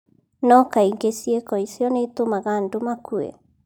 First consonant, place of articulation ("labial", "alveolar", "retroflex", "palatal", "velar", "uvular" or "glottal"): alveolar